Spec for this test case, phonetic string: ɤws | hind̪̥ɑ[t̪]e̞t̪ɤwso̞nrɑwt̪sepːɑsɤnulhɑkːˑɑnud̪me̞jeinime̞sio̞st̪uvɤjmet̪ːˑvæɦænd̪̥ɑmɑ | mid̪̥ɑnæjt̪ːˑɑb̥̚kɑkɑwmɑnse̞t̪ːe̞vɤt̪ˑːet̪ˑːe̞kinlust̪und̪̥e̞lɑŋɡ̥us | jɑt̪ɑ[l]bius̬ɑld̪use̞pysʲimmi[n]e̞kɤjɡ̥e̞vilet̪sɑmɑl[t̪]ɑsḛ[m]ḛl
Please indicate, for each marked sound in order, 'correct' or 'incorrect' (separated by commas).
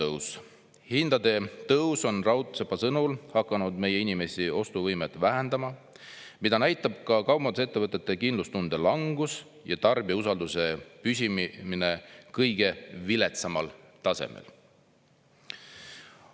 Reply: incorrect, incorrect, correct, correct, correct